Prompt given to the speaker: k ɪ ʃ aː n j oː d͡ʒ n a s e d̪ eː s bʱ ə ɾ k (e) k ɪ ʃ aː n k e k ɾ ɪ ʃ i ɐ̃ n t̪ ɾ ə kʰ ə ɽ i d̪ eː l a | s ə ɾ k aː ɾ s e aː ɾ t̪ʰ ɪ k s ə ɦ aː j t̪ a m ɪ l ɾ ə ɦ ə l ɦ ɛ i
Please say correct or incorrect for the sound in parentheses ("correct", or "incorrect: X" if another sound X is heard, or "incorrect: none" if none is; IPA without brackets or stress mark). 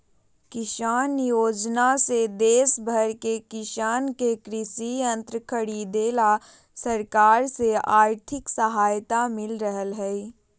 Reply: correct